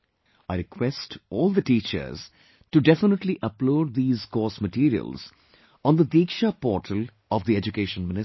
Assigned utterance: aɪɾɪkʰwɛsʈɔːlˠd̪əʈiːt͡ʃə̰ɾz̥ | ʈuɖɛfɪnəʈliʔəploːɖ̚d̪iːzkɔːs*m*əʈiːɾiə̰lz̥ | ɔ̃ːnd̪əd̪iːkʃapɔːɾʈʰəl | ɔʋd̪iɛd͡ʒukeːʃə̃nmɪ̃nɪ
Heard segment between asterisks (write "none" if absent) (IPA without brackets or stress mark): m